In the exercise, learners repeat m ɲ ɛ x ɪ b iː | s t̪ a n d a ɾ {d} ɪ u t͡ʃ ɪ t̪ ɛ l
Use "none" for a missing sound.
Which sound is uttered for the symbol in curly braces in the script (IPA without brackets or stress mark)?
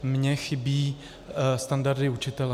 d